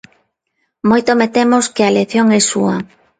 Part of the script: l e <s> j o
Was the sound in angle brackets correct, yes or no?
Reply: no